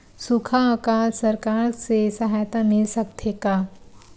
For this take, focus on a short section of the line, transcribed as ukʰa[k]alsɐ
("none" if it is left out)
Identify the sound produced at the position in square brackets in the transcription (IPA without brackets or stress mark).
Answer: k